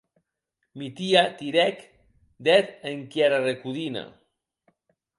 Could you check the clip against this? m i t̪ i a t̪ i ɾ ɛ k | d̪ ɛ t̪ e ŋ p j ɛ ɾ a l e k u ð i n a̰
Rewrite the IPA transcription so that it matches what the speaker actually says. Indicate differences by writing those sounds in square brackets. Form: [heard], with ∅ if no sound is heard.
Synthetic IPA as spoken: m i t̪ i a t̪ i ɾ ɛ k | d̪ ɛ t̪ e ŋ [k] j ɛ ɾ a [r] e k u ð i n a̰